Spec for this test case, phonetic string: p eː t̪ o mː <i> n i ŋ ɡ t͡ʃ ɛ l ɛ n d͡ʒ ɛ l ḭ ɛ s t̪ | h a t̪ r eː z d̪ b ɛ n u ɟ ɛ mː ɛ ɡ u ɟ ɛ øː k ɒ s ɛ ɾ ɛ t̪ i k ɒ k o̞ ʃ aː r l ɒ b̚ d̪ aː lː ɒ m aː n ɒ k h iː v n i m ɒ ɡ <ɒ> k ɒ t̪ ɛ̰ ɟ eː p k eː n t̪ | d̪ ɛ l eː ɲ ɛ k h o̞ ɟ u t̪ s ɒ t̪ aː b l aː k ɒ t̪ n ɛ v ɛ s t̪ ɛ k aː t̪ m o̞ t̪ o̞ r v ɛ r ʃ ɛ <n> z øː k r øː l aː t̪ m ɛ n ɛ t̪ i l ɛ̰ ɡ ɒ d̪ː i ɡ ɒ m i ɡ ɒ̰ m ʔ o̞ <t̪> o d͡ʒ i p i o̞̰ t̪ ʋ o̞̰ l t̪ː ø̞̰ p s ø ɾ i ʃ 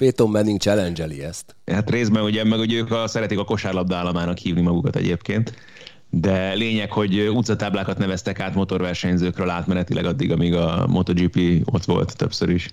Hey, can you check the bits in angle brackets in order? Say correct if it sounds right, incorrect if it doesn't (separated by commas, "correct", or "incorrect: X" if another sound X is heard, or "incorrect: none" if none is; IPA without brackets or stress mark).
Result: incorrect: ɛ, incorrect: u, incorrect: ɲ, correct